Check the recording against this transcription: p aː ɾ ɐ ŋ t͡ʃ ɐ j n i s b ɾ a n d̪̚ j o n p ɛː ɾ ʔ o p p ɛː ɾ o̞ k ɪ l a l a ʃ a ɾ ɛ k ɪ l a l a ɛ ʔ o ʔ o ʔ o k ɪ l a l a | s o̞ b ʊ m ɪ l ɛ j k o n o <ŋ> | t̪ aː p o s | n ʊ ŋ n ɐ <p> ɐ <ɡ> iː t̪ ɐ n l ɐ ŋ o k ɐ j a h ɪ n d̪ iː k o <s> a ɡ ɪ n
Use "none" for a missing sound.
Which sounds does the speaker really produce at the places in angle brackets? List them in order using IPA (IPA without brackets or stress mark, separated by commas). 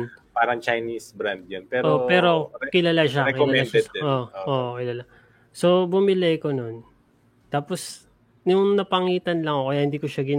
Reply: n, p, ŋ, ʃ